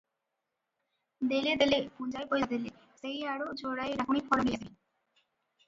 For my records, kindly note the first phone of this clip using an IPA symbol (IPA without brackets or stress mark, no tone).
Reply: d̪